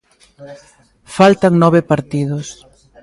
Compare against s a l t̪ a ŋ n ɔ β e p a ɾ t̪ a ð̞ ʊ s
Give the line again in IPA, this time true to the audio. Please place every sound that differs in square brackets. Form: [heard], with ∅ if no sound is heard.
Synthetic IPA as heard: [f] a l t̪ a ŋ n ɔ β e p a ɾ t̪ [i] ð̞ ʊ s